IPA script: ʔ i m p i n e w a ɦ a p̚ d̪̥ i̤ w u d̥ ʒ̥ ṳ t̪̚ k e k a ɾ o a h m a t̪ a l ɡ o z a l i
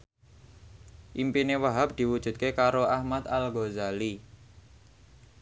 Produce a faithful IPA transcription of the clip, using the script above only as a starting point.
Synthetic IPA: ʔ i m p i n e w a ɦ a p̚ d̪̥ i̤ w u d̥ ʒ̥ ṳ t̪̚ k e k a ɾ o a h m a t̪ a l ɡ o z a l i